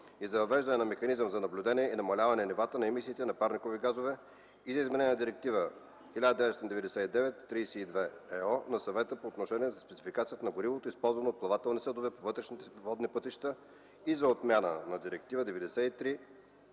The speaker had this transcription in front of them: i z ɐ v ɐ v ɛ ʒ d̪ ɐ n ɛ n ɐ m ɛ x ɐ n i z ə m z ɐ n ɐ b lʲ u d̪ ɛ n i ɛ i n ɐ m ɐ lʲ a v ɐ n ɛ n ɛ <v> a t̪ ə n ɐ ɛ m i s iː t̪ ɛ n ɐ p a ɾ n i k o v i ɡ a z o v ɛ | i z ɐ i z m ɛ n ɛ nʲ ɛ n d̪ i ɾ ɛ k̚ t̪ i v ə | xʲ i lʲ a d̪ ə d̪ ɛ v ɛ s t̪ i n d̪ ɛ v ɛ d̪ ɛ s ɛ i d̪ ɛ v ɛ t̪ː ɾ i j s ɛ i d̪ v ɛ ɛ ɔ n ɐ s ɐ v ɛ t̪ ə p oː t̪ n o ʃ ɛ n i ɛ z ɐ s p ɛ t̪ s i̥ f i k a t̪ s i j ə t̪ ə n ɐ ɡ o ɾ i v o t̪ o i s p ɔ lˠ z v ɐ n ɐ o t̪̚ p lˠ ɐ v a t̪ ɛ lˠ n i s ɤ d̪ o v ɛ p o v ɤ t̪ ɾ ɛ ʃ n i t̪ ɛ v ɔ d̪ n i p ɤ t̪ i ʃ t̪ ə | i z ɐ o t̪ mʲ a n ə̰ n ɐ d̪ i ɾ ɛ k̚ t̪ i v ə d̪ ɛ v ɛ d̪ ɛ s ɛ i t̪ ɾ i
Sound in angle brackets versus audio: correct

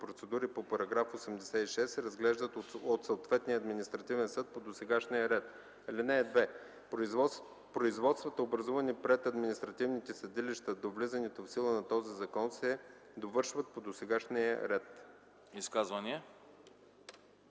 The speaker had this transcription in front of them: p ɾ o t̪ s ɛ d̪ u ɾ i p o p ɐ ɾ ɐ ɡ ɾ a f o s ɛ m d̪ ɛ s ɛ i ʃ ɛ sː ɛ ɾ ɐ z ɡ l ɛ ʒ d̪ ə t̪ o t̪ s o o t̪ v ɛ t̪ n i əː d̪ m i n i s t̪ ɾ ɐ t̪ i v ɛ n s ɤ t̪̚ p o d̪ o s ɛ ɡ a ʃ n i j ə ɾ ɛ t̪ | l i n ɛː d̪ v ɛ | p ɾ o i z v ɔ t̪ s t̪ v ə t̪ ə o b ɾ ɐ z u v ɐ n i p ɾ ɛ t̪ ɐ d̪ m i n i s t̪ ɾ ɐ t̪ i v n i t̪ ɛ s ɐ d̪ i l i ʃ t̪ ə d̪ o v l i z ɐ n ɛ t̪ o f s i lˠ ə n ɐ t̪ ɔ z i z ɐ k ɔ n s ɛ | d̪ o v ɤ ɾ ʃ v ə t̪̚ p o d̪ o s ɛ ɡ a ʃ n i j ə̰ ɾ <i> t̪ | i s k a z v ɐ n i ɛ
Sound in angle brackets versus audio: incorrect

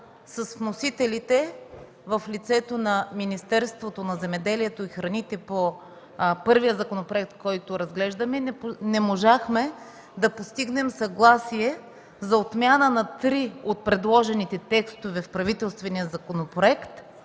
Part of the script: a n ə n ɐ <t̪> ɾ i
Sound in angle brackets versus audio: correct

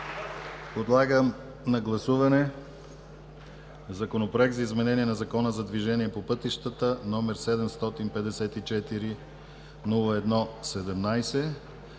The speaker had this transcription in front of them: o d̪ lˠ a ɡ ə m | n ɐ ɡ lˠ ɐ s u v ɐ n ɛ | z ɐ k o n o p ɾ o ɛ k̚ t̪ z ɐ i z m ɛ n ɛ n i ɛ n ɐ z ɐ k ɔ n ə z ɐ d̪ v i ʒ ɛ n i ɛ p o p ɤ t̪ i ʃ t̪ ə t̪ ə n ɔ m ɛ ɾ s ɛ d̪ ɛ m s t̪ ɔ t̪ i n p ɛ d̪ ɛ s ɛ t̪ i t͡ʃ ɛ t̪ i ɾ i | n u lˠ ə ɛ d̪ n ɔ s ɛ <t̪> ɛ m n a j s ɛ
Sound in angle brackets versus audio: incorrect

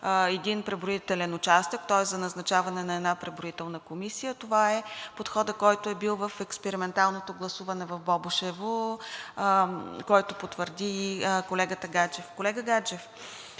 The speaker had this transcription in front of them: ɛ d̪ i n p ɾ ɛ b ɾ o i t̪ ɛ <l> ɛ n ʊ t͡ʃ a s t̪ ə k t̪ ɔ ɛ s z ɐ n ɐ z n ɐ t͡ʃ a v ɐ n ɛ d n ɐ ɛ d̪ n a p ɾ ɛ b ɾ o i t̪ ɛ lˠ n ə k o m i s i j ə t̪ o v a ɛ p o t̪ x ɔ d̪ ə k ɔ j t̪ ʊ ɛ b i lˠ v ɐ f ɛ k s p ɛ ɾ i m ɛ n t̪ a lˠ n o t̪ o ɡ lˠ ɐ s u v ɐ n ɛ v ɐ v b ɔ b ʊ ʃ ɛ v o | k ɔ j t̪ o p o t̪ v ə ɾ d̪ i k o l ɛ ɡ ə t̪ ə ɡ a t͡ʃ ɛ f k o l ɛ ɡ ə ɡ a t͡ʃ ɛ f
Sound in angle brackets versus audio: correct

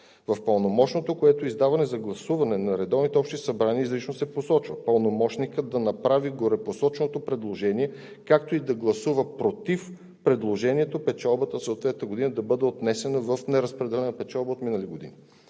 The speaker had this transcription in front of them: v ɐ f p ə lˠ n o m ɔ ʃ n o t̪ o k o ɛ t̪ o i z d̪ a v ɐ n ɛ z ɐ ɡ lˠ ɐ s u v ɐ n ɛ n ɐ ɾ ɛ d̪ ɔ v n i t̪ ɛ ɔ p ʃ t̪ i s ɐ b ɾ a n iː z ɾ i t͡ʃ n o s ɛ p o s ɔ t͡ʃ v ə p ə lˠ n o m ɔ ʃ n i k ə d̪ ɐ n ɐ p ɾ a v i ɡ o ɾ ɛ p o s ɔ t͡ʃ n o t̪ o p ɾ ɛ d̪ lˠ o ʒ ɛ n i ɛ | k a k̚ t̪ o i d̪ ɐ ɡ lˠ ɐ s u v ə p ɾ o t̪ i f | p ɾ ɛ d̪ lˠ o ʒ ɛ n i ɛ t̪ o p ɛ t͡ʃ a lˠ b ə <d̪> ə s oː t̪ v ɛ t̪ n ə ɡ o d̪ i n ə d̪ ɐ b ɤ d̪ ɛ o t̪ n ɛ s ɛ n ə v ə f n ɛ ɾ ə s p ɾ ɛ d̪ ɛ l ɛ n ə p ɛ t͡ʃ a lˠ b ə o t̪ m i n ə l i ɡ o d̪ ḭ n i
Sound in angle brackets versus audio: incorrect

